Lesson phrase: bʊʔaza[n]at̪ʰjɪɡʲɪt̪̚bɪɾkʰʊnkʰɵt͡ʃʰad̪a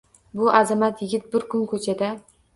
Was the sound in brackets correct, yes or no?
no